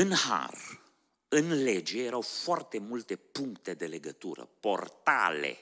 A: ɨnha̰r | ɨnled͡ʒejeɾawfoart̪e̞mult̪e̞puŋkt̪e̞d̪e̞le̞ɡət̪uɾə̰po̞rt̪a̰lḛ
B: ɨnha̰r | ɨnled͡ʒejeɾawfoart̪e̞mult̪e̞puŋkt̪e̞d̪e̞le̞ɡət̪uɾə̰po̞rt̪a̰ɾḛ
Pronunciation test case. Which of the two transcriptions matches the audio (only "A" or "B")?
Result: A